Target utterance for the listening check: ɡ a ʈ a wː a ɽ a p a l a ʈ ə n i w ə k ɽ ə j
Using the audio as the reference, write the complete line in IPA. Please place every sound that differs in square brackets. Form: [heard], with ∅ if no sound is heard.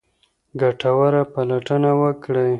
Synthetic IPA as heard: ɡ a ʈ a [w] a [ɾ] a p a l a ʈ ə n [a] w ə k ɽ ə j